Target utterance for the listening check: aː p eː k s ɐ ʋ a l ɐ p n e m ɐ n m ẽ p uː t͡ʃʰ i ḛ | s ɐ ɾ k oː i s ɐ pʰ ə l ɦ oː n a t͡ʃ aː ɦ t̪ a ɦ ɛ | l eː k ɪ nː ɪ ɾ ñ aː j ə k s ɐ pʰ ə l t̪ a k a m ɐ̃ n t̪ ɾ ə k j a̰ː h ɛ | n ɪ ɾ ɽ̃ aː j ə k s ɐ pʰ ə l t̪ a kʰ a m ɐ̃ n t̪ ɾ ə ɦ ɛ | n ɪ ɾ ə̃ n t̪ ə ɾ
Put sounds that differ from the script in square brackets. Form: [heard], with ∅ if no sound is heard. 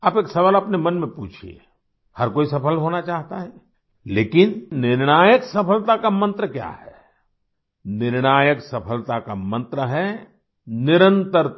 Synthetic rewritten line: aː p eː k s ɐ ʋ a l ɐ p n e m ɐ n m ẽ p uː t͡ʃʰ i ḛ | [h] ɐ ɾ k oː i s ɐ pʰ ə l ɦ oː n a t͡ʃ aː ɦ t̪ a ɦ ɛ | l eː k ɪ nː ɪ ɾ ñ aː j ə k s ɐ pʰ ə l t̪ a k a m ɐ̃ n t̪ ɾ ə k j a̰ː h ɛ | n ɪ ɾ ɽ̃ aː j ə k s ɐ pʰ ə l t̪ a [k] a m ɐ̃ n t̪ ɾ ə ɦ ɛ | n ɪ ɾ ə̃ n t̪ ə ɾ